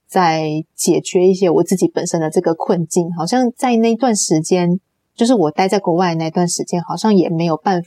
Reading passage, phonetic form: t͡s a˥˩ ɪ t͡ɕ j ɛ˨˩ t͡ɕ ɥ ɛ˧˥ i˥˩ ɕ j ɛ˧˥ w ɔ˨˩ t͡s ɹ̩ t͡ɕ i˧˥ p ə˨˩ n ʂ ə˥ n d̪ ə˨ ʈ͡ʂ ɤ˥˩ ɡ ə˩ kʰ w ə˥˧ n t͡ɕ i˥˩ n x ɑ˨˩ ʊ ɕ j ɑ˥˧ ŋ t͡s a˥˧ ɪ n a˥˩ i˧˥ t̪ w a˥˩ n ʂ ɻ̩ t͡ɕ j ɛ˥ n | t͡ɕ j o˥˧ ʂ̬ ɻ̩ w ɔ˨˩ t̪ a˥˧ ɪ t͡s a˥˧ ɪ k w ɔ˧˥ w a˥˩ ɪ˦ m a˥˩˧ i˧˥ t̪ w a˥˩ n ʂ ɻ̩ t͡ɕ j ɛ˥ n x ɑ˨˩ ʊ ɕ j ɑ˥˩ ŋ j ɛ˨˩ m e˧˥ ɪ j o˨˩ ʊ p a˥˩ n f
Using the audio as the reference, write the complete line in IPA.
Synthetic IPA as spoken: t͡s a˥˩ ɪ t͡ɕ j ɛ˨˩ t͡ɕ ɥ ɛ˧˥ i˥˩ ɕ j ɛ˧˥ w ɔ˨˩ t͡s ɹ̩ t͡ɕ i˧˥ p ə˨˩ n ʂ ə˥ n d̪ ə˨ ʈ͡ʂ ɤ˥˩ ɡ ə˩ kʰ w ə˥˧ n t͡ɕ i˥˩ n x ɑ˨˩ ʊ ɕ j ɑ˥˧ ŋ t͡s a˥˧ ɪ n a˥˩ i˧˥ t̪ w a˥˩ n ʂ ɻ̩ t͡ɕ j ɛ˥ n | t͡ɕ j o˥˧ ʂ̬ ɻ̩ w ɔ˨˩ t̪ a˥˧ ɪ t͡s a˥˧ ɪ k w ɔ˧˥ w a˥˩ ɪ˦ n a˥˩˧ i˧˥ t̪ w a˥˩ n ʂ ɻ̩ t͡ɕ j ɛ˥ n x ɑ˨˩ ʊ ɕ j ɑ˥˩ ŋ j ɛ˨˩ m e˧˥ ɪ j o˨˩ ʊ p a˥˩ n f